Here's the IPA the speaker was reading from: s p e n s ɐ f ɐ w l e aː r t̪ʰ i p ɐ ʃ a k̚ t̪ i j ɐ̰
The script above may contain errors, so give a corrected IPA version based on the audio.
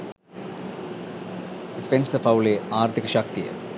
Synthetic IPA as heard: s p e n s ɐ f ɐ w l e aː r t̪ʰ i k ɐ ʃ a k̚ t̪ i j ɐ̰